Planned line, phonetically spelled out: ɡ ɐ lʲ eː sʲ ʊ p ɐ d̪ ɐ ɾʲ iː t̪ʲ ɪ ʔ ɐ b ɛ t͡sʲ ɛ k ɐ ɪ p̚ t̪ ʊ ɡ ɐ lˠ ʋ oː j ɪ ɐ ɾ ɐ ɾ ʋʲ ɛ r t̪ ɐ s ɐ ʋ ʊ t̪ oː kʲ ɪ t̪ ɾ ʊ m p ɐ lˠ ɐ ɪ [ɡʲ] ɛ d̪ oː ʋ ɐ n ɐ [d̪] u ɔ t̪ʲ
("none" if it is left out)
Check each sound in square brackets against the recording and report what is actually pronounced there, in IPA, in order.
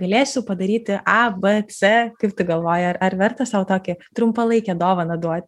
kʲ, d̪

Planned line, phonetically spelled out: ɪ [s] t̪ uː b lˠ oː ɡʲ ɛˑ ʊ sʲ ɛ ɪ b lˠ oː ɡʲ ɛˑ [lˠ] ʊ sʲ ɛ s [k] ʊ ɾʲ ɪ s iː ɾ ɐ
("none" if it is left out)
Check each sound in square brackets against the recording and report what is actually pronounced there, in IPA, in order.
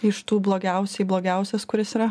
ʃ, none, k

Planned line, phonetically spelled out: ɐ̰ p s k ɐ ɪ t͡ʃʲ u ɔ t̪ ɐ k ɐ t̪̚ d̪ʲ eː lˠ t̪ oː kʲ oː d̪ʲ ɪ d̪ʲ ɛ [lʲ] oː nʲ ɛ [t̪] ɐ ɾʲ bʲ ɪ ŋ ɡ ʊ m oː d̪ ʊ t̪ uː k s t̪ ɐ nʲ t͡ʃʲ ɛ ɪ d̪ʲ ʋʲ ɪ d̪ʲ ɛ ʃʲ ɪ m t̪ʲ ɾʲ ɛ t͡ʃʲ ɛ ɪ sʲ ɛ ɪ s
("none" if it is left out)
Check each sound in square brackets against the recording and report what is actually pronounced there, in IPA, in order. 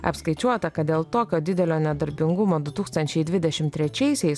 lʲ, d̪

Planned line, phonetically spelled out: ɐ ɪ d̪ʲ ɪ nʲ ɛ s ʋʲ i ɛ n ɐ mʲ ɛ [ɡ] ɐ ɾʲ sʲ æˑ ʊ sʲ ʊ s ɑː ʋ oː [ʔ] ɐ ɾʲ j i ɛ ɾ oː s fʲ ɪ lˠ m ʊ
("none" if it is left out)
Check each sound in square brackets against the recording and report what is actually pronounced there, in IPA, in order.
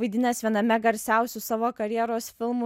ɡ, k

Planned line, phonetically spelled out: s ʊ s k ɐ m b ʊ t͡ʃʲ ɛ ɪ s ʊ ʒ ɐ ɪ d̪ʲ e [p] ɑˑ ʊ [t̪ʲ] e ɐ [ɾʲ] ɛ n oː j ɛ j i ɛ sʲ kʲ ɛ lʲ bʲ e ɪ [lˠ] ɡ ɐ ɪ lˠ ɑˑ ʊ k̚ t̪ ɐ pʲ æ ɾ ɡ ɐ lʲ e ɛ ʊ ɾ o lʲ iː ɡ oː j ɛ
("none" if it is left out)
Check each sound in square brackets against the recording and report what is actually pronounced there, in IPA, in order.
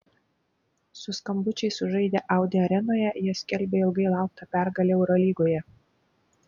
ʔ, d̪ʲ, ɾʲ, lˠ

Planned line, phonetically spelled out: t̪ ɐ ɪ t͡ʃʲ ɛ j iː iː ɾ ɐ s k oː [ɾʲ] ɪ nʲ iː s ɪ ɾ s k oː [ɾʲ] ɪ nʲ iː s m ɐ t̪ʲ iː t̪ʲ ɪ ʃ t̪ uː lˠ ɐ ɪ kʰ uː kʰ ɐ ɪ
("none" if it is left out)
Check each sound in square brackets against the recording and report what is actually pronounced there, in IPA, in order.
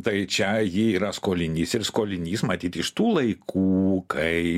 lʲ, lʲ

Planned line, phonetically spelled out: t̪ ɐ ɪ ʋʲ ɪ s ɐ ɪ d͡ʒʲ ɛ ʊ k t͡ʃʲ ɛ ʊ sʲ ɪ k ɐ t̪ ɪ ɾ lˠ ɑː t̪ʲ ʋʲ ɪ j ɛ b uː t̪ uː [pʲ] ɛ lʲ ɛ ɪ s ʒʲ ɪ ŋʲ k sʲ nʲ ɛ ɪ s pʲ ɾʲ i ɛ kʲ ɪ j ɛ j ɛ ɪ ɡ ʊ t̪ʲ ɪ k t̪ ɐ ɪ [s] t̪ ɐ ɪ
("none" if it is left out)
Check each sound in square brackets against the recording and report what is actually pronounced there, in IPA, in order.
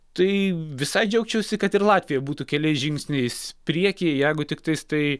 kʲ, s

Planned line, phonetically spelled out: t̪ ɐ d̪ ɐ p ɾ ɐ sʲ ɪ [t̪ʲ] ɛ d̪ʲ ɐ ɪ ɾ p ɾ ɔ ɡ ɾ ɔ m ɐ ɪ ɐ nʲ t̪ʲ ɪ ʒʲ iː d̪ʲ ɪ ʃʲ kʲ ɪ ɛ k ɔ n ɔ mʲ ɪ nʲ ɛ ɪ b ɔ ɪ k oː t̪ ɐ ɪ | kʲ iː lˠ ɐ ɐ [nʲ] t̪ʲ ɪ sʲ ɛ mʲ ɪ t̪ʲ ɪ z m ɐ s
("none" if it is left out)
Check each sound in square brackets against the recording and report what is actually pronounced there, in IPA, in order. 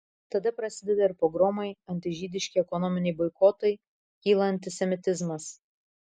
d̪ʲ, nʲ

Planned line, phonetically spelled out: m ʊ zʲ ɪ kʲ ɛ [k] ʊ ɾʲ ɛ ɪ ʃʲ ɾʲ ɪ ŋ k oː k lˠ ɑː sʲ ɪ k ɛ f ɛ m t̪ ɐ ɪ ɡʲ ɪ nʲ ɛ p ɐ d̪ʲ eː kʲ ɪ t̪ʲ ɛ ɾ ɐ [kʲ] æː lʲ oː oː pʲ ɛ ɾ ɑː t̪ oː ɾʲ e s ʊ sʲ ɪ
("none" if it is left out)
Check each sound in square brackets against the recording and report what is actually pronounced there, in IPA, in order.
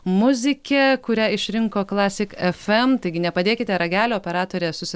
k, ɡʲ

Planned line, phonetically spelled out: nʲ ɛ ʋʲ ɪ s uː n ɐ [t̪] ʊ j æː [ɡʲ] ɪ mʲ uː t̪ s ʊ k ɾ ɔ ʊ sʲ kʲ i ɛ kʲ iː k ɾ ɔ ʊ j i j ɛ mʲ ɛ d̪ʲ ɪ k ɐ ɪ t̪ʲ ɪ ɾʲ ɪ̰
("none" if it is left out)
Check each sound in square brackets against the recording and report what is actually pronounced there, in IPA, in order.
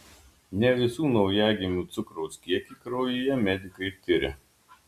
none, ɡʲ

